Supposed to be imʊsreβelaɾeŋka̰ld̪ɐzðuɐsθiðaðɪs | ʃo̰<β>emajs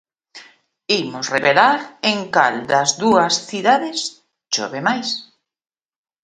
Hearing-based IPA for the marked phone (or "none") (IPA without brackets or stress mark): β